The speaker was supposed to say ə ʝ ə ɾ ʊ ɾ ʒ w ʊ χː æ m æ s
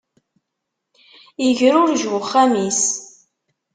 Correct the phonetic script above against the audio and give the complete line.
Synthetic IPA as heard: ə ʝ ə ɾ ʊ ɾ ʒ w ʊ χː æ m i s